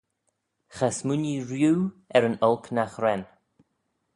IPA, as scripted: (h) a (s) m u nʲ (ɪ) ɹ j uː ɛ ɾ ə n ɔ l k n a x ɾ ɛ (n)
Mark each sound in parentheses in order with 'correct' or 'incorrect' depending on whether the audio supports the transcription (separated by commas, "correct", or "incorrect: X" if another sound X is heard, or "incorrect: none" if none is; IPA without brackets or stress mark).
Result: incorrect: x, correct, incorrect: i, correct